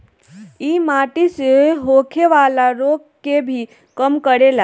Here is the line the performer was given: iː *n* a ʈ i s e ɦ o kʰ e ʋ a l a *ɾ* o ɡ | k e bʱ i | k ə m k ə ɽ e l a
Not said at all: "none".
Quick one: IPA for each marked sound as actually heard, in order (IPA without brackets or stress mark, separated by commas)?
m, ɾ